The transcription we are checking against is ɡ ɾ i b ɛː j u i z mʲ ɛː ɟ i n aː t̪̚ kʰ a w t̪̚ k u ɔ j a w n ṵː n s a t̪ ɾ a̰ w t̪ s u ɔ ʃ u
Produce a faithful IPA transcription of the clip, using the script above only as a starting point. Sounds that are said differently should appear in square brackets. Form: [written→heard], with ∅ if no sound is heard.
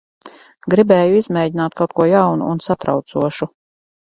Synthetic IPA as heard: ɡ ɾ i b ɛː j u i z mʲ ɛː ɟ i n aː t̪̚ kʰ a w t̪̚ k u ɔ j a w n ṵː n s a t̪ ɾ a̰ w t̪ s u ɔ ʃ u